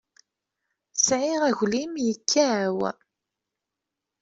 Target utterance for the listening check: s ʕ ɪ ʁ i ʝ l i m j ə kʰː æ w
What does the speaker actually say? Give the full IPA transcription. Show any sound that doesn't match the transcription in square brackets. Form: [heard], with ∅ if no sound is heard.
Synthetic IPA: s ʕ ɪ ʁ [æ] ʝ l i m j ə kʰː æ w